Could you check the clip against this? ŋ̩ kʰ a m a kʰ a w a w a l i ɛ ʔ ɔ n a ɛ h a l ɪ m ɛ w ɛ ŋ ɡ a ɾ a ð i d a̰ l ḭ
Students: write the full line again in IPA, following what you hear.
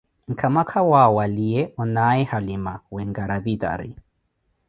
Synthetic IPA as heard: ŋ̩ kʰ a m a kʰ a w a w a l i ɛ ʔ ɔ n a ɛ h a l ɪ m a w ɛ ŋ ɡ a ɾ a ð i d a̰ ɾ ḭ